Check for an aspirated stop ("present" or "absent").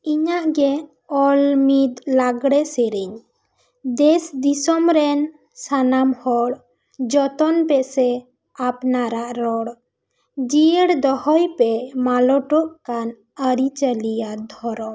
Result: absent